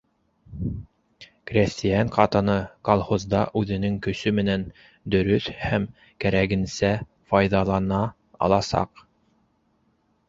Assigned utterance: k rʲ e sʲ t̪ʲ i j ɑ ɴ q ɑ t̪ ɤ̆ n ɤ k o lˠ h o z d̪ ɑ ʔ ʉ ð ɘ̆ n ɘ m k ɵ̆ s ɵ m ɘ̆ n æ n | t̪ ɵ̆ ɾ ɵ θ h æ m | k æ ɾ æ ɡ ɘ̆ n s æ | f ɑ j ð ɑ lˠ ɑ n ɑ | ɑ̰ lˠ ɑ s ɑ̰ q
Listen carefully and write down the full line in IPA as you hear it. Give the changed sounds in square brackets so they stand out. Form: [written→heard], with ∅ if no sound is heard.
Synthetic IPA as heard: k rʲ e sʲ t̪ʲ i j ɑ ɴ q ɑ t̪ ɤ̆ n ɤ k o lˠ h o z d̪ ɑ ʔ ʉ ð ɘ̆ n ɘ [m→ŋ] k ɵ̆ s ɵ m ɘ̆ n æ n | [t̪→d̪] ɵ̆ ɾ ɵ θ h æ m | k æ ɾ æ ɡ ɘ̆ n s æ | f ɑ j ð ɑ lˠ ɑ n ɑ | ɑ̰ lˠ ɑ s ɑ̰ q